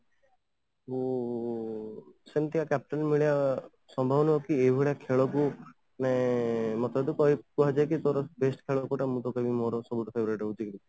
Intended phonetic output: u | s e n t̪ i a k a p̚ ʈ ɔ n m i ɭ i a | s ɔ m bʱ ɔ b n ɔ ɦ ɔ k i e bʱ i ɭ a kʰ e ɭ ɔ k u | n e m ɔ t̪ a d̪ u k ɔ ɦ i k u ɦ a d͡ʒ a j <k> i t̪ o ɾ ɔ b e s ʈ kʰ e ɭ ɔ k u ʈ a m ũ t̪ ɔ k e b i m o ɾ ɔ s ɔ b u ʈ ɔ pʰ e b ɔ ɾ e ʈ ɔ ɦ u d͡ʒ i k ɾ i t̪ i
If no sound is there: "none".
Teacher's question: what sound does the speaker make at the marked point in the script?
k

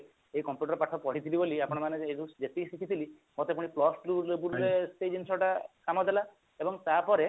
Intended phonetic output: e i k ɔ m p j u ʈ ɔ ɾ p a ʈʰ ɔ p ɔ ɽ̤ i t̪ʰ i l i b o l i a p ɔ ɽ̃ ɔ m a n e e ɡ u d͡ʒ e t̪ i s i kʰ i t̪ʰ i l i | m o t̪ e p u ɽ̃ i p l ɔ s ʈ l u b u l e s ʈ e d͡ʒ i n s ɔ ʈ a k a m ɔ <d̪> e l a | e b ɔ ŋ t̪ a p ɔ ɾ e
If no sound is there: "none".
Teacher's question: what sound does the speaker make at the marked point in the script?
d̪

